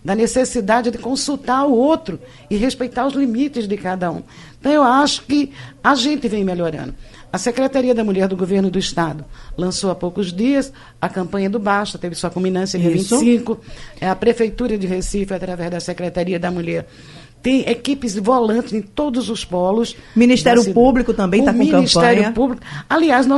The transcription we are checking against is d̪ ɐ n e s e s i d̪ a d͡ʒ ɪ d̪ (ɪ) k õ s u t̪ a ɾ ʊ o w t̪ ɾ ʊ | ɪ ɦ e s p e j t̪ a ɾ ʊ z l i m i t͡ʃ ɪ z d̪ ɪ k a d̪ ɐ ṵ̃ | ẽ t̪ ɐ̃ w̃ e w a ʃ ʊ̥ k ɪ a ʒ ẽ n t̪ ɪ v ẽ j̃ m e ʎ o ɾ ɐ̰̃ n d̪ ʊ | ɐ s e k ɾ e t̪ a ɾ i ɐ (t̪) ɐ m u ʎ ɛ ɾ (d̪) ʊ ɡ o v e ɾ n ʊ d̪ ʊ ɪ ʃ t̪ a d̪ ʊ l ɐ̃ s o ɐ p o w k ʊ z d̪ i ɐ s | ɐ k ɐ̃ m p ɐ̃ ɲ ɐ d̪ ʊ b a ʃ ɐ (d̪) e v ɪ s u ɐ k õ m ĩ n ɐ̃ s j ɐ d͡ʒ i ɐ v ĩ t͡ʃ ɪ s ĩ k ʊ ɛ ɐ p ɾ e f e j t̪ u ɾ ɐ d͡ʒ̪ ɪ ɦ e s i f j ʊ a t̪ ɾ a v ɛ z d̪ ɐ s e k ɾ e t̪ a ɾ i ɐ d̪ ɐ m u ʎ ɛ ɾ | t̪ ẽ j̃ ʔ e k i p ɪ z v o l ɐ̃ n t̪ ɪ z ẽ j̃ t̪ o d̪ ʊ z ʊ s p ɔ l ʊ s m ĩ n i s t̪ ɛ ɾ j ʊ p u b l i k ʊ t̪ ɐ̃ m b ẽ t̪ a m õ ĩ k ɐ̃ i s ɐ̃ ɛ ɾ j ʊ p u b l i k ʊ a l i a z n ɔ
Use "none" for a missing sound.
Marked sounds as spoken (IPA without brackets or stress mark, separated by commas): ɪ, d̪, d̪, t̪